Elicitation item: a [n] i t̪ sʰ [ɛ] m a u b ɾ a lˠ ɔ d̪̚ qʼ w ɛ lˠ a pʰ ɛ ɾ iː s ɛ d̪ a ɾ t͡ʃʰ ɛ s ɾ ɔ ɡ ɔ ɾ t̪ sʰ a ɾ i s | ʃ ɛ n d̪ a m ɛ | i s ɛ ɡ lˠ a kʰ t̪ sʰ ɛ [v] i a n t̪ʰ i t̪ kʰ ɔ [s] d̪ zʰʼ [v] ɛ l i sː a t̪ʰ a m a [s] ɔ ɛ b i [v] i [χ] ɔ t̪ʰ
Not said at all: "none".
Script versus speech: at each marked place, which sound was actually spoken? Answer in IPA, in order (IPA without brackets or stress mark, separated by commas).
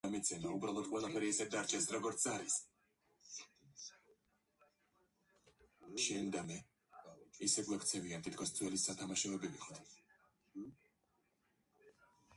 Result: m, ɛ, v, s, w, ʃ, v, χ